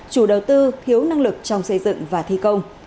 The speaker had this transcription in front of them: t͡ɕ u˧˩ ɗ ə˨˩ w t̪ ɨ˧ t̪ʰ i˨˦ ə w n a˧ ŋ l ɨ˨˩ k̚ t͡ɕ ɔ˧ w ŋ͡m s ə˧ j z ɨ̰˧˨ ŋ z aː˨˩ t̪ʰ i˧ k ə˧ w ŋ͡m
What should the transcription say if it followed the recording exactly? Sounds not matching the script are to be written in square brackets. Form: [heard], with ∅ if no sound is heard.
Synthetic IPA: t͡ɕ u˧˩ ɗ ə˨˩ w t̪ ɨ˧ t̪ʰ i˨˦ ə w n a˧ ŋ l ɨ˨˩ k̚ t͡ɕ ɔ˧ w ŋ͡m s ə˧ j z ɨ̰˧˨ ŋ [v] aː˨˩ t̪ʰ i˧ k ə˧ w ŋ͡m